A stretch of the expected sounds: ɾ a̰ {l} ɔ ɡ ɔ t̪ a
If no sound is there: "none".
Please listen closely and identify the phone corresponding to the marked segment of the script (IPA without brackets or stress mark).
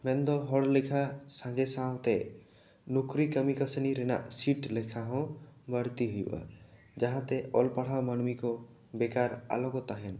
l